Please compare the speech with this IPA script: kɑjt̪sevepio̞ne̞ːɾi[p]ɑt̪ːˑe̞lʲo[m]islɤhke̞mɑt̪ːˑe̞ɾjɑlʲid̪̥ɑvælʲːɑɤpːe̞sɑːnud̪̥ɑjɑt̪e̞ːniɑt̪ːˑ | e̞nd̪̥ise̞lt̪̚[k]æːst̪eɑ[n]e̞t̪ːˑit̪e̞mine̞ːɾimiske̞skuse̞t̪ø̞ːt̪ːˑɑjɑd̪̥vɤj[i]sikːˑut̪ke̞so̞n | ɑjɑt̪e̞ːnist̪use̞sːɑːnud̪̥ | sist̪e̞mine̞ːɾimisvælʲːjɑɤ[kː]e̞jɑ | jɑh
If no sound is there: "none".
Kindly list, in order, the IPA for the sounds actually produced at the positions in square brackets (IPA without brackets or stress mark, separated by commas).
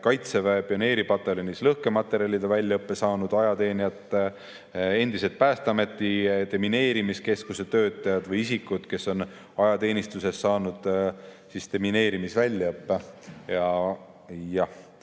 p, n, p, m, i, pː